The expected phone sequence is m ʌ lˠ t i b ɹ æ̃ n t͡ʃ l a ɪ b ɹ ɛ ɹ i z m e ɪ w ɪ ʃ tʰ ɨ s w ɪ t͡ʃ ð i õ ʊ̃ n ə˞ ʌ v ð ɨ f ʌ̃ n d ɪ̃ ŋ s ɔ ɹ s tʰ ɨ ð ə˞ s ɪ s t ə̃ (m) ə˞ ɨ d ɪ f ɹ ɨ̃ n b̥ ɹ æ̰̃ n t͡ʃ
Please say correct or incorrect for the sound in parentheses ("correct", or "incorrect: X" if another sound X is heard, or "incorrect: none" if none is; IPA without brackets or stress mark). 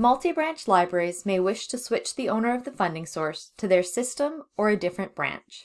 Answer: correct